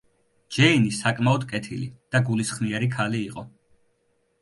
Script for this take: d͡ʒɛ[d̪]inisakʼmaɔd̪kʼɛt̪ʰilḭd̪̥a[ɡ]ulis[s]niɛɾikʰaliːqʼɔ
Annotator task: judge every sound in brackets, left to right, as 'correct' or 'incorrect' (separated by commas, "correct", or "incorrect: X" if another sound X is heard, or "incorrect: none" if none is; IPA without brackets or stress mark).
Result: incorrect: none, correct, incorrect: χ